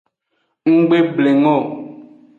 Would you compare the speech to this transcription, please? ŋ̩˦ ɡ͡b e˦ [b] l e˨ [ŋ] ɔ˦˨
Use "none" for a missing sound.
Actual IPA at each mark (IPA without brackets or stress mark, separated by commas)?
b, ŋ